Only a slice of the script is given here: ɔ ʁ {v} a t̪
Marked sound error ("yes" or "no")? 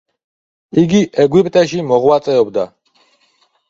yes